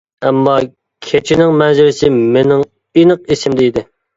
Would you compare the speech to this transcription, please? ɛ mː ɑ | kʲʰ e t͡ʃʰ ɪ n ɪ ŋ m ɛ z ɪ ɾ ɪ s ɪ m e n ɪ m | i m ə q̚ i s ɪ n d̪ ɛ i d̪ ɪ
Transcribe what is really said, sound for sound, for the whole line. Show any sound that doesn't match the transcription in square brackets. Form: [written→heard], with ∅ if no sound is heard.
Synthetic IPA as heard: ɛ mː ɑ | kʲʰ e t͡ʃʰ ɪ n ɪ ŋ m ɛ z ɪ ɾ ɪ s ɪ m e n ɪ [m→ŋ] | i [m→n] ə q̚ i s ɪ [n→m] d̪ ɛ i d̪ ɪ